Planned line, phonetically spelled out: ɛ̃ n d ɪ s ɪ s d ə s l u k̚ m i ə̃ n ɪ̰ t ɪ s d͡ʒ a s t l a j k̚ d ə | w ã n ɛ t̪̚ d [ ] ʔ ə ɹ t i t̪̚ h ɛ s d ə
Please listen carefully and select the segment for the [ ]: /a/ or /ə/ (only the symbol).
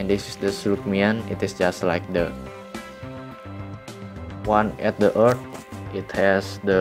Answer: ə